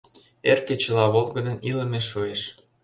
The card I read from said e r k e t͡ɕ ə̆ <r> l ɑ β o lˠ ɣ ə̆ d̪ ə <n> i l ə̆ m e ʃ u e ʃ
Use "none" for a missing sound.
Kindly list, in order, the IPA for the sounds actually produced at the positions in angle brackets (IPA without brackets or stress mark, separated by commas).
none, n